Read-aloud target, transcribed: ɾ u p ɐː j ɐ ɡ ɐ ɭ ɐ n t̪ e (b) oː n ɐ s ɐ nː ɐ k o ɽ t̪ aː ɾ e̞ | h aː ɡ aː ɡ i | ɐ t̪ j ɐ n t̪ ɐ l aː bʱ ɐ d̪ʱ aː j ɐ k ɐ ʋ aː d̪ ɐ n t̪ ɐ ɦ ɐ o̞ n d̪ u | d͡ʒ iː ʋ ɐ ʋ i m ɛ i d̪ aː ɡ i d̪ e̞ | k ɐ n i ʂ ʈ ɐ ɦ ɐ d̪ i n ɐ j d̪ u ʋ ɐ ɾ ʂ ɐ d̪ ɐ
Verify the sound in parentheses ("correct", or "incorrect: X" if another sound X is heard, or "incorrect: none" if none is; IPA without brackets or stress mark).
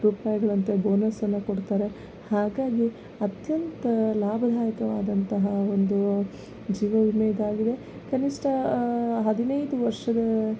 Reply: correct